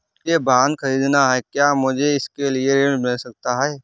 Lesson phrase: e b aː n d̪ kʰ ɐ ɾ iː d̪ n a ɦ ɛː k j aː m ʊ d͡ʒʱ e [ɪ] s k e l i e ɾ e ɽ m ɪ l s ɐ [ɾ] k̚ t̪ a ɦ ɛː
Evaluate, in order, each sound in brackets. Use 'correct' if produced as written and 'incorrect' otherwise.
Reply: correct, incorrect

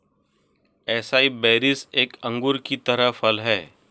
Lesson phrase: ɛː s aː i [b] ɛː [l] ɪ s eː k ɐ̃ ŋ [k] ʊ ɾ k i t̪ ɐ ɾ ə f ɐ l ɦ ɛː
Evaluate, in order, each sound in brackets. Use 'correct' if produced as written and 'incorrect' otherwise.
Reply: correct, incorrect, incorrect

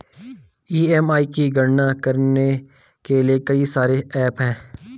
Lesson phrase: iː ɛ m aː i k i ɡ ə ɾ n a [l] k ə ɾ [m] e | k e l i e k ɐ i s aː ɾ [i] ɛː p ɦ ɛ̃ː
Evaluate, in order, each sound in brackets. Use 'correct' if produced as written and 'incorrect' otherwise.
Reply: incorrect, incorrect, incorrect

